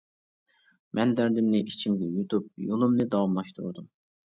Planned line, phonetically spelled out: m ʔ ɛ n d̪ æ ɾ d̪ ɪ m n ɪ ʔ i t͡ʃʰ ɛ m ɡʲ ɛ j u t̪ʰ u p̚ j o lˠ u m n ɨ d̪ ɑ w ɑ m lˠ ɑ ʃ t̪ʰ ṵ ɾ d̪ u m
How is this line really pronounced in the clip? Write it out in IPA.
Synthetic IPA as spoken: m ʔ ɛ n d̪ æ ɾ d̪ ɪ m n ɪ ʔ i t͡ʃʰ i m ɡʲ ɛ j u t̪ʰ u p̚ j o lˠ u m n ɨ d̪ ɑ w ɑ m lˠ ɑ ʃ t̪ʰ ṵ ɾ d̪ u m